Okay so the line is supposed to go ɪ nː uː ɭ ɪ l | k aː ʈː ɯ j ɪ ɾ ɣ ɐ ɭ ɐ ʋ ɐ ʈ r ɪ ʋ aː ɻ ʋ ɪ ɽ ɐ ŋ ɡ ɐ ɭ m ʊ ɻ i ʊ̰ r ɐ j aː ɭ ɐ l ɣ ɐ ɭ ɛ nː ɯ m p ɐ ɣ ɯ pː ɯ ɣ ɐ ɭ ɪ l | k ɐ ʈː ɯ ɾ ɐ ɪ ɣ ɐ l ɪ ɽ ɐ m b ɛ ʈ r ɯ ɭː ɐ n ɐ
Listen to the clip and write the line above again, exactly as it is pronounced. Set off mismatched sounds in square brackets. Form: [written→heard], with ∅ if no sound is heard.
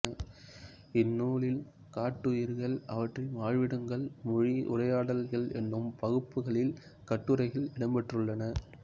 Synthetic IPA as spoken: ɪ nː uː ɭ ɪ l | k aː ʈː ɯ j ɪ ɾ ɣ ɐ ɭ ɐ ʋ ɐ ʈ r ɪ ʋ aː ɻ ʋ ɪ ɽ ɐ ŋ ɡ ɐ ɭ m ʊ ɻ i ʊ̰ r ɐ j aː [ɭ→ɽ] ɐ l ɣ ɐ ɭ ɛ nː ɯ m p ɐ ɣ ɯ pː ɯ ɣ ɐ ɭ ɪ l | k ɐ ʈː ɯ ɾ ɐ ɪ ɣ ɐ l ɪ ɽ ɐ m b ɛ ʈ r ɯ ɭː ɐ n ɐ